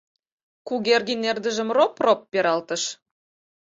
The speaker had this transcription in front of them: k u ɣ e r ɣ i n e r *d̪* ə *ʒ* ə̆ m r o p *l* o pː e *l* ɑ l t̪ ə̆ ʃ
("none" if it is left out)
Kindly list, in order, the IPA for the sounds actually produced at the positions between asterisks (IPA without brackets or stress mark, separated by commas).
d̪, ʒ, r, ɾ